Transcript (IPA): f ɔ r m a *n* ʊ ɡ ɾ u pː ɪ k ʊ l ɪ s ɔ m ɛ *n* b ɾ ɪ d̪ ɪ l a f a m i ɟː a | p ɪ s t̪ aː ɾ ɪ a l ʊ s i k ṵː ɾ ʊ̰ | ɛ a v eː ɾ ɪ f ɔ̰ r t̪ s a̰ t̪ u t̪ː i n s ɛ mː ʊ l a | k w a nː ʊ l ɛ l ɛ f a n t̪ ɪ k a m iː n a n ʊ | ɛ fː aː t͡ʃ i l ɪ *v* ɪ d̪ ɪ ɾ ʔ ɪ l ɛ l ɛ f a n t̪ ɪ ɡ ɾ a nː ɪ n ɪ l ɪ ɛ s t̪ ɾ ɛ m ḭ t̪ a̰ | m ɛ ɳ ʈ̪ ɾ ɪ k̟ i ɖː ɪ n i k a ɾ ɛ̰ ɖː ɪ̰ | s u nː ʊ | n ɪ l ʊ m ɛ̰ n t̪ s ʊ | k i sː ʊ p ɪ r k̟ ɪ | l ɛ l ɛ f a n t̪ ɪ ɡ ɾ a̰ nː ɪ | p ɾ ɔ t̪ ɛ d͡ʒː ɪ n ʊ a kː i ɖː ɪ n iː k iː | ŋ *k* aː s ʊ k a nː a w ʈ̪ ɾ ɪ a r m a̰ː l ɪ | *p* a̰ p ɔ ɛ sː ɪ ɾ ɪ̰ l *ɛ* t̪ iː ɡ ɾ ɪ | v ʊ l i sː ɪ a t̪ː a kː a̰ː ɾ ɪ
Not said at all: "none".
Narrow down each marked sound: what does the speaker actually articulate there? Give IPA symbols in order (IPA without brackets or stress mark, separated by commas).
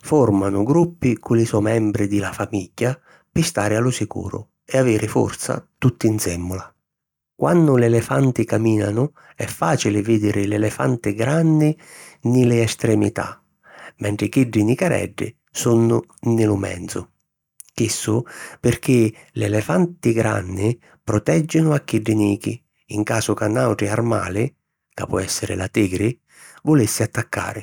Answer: n, m, v, k, k, a